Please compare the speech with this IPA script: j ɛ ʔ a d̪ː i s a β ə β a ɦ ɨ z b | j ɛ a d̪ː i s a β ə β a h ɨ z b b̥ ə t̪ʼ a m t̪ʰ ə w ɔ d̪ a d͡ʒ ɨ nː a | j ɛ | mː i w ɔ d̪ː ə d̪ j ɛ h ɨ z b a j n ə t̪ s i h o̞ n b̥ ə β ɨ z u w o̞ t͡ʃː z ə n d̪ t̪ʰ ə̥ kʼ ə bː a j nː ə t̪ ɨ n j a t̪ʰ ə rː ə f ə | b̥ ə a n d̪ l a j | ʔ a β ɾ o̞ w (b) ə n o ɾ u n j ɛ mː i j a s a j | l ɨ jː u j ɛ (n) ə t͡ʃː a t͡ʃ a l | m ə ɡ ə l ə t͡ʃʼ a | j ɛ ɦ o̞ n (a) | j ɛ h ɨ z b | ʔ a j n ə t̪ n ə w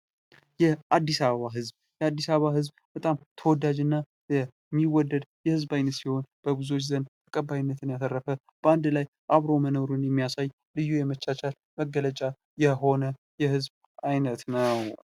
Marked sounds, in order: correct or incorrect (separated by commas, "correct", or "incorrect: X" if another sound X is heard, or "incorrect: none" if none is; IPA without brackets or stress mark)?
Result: incorrect: m, incorrect: m, incorrect: ə